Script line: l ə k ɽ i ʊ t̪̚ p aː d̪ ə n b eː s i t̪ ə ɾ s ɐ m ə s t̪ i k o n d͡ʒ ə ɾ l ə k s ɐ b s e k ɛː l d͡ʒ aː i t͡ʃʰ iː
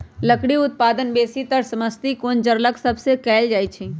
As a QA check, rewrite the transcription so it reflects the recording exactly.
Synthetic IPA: l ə k ɽ i ʊ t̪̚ p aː d̪ ə n b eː s i t̪ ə ɾ s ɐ m ə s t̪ i k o n d͡ʒ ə ɾ l ə k s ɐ b s e k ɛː l d͡ʒ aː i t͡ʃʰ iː